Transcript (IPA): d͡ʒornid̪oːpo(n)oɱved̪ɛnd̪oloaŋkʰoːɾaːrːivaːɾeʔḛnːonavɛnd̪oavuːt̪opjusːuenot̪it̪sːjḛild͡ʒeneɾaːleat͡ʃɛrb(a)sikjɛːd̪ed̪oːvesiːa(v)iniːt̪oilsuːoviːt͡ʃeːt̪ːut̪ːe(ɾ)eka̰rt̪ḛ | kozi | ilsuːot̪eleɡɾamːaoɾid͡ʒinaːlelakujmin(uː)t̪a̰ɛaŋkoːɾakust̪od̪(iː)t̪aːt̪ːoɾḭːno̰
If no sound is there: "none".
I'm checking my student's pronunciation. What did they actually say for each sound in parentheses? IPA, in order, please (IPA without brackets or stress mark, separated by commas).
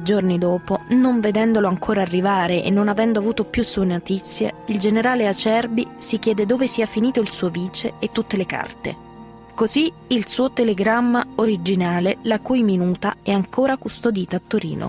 n, i, f, l, uː, iː